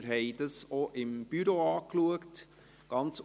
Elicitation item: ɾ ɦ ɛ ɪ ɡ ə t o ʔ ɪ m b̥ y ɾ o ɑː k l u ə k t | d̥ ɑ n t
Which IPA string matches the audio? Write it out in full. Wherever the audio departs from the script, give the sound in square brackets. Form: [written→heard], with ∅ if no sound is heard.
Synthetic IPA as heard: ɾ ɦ ɛ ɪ [ɡ→d] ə [t→s] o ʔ ɪ m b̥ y ɾ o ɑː k l u ə k t | [d̥→ɡ̥] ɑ n [t→t͡s]